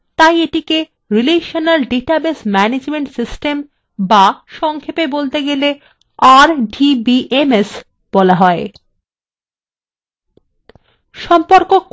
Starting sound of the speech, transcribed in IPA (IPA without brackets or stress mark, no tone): t̪